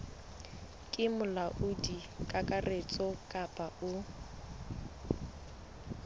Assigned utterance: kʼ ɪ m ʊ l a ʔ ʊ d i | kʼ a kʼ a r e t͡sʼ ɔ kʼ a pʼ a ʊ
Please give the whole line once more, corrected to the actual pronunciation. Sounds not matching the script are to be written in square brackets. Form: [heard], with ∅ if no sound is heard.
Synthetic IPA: kʼ ɪ m ʊ l a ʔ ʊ d i | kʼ a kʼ a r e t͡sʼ ɔ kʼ a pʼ a ʊ